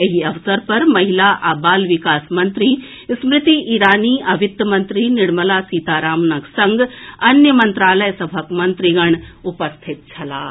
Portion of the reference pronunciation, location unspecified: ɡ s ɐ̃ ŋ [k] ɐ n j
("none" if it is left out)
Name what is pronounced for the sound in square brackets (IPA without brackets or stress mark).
ɡ